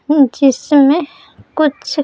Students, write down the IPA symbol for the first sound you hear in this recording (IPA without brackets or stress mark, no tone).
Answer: d͡ʒ